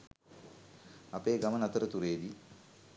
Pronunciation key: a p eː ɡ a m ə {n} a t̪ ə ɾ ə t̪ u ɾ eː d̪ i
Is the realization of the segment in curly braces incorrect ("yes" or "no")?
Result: no